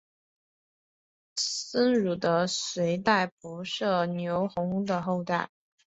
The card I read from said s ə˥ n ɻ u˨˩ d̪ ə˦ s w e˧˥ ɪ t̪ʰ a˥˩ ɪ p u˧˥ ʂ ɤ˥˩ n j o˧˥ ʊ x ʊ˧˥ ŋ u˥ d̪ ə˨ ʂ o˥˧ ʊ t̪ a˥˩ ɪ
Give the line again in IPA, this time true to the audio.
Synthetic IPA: s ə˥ n ɻ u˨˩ d̪ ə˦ s w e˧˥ ɪ t̪ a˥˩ ɪ p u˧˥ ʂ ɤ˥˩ n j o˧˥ ʊ x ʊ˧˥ ŋ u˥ d̪ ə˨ x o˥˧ ʊ t̪ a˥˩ ɪ